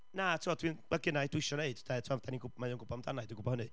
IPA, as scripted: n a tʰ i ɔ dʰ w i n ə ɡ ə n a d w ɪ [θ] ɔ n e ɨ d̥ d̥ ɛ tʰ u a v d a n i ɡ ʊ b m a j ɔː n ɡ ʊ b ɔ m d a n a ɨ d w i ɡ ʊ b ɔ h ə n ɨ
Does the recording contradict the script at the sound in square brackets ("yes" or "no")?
yes